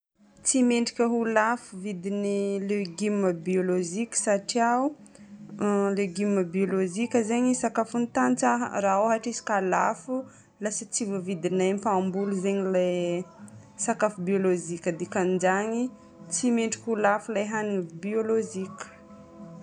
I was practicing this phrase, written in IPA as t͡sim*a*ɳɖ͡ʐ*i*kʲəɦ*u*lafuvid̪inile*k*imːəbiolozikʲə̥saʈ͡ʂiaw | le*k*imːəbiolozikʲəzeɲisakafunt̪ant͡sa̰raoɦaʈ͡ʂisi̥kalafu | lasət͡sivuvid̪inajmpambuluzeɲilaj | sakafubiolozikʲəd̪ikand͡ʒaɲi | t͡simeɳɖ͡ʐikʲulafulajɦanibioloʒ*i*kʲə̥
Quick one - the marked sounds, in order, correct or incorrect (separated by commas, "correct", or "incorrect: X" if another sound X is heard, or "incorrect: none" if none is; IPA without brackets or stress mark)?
incorrect: e, correct, correct, incorrect: ɡ, incorrect: ɡ, correct